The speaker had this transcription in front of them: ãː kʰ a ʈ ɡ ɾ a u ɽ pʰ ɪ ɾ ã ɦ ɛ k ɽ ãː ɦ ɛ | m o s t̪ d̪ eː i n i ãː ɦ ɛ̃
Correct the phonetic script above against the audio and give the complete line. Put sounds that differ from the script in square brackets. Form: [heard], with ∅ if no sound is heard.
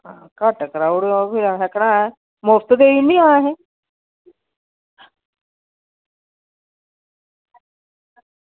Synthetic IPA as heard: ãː [k] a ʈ [k] ɾ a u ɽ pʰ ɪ ɾ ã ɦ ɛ k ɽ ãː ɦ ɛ | m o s t̪ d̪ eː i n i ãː ɦ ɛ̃